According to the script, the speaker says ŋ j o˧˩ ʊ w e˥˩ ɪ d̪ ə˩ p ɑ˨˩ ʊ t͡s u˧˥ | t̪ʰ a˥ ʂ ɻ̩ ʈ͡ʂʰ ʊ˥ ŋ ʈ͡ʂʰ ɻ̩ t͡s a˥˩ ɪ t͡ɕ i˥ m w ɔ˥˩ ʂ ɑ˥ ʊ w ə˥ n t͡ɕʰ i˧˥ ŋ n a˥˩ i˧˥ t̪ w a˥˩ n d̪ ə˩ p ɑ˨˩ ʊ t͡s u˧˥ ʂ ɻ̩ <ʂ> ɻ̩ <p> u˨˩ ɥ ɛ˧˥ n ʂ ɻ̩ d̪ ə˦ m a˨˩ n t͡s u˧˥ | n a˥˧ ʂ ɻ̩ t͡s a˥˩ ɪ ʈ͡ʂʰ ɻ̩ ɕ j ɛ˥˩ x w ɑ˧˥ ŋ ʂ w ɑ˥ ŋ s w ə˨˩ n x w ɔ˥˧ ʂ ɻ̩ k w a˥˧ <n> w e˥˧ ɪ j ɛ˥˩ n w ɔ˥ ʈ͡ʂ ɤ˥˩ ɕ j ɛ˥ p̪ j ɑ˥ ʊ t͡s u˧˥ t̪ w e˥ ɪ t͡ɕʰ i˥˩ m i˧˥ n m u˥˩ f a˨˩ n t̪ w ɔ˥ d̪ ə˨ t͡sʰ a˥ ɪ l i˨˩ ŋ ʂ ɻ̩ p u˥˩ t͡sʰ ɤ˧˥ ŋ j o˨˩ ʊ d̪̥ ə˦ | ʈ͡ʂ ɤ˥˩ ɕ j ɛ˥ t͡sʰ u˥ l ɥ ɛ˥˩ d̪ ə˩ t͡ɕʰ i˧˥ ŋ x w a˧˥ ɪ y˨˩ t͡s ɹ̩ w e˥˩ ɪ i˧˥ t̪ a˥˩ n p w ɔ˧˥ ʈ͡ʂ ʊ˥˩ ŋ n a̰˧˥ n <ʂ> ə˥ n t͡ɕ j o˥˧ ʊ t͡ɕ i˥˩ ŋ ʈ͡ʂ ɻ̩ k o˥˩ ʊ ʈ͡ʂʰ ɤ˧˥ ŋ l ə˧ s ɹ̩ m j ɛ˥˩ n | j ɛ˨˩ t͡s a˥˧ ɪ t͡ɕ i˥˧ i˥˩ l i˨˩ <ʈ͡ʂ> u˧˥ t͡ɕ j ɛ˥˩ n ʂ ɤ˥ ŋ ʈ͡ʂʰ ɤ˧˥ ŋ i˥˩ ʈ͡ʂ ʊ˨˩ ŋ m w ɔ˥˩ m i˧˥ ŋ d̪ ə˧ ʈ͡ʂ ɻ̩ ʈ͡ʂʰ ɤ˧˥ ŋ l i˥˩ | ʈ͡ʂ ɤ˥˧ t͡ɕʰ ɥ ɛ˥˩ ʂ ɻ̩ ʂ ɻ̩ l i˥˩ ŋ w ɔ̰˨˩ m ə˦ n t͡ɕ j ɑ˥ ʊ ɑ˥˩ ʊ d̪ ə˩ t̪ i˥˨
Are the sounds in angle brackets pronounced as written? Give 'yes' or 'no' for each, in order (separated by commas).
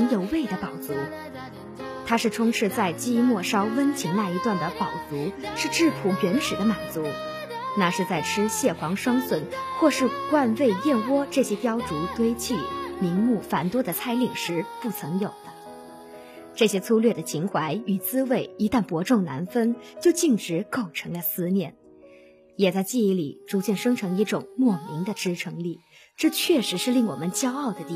no, no, yes, no, yes